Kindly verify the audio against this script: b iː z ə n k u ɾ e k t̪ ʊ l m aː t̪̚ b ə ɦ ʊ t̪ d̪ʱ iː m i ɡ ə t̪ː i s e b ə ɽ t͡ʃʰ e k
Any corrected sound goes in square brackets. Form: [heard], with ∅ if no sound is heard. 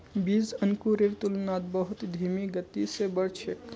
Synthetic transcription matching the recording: b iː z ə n k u ɾ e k t̪ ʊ l [n] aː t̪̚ b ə ɦ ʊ t̪ d̪ʱ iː m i ɡ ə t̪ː i s e b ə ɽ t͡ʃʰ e k

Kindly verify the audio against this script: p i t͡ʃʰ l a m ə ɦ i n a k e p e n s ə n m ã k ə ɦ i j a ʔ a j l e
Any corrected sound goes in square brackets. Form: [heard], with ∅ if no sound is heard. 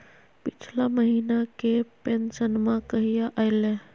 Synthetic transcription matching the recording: p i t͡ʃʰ l a m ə ɦ i n a k e p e n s ə n m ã k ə ɦ i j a ʔ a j l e

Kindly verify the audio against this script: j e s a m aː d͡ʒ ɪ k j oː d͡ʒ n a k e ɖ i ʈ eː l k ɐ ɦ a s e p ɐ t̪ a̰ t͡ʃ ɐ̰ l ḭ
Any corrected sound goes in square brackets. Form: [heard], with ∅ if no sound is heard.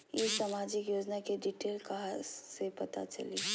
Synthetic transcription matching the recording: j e s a m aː d͡ʒ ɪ k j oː d͡ʒ n a k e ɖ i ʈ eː l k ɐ ɦ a s e p ɐ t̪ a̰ t͡ʃ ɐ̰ l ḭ

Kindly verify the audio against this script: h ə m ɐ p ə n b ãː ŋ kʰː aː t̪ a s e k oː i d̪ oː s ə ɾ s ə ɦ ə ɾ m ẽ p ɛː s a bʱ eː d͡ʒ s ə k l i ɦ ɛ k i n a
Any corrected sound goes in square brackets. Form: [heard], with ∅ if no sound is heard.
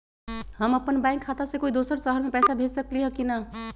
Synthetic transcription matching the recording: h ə m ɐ p ə n b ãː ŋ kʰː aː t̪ a s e k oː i d̪ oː s ə ɾ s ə ɦ ə ɾ m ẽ p ɛː s a bʱ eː d͡ʒ s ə k l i ɦ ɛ k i n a

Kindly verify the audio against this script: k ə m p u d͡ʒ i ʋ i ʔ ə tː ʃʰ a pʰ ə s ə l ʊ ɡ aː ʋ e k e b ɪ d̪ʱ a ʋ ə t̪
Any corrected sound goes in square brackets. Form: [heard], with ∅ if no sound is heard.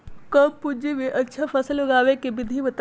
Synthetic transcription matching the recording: k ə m p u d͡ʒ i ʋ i ʔ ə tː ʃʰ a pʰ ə s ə l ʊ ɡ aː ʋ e k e b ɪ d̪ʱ [i] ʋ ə t̪

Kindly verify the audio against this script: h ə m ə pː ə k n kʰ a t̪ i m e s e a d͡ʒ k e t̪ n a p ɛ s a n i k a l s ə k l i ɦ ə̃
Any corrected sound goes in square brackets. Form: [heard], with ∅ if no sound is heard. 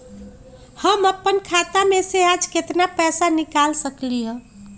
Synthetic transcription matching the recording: h ə m ə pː ə [∅] n kʰ a t̪ [a] m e s e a d͡ʒ k e t̪ n a p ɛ s a n i k a l s ə k l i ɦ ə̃

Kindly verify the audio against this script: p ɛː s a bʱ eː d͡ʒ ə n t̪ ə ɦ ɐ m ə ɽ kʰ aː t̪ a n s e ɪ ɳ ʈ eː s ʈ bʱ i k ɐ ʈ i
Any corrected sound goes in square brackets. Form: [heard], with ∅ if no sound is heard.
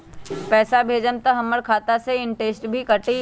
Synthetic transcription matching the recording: p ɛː s a bʱ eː d͡ʒ ə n t̪ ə ɦ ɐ m ə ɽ kʰ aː t̪ a [∅] s e ɪ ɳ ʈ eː s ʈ bʱ i k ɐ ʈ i

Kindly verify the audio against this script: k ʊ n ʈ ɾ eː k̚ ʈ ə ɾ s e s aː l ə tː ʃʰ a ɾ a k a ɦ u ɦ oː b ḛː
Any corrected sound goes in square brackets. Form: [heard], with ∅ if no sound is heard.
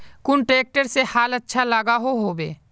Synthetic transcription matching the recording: k ʊ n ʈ ɾ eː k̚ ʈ ə ɾ s e [h] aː l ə tː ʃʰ a [l] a [ɡ] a ɦ [o] ɦ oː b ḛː

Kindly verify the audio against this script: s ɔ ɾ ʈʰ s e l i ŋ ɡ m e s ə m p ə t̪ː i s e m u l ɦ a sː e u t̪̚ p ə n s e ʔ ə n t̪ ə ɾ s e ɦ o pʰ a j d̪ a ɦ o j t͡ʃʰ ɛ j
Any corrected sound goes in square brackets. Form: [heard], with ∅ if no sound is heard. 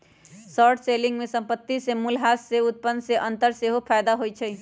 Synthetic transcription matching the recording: s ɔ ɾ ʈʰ s e l i ŋ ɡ m e s ə m p ə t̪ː i s e m u l ɦ a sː e u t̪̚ p ə n s e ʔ ə n t̪ ə ɾ s e ɦ o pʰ a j d̪ a ɦ o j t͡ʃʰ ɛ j

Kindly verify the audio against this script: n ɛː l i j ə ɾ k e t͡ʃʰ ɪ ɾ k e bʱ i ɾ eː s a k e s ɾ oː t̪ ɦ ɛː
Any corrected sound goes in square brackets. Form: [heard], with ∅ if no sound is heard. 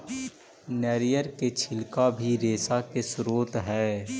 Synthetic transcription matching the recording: n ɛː [ɾ] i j ə ɾ k e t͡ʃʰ ɪ [l] k [a] bʱ i ɾ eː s a k e s ɾ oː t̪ ɦ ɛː

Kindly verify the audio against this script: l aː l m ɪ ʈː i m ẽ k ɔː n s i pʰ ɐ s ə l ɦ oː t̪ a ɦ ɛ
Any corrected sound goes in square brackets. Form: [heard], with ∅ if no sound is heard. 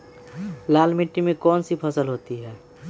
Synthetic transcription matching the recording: l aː l m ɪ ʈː i m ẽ k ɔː n s i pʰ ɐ s ə l ɦ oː t̪ [i] ɦ [ɛː]

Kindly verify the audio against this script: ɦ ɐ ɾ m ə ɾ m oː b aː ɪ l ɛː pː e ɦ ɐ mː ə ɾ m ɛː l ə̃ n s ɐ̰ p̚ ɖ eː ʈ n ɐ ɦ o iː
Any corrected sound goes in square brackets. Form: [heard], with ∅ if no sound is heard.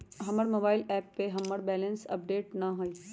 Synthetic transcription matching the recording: ɦ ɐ [∅] m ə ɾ m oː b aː ɪ l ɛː pː e ɦ ɐ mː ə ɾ [b] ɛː l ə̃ n s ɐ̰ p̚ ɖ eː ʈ n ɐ ɦ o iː

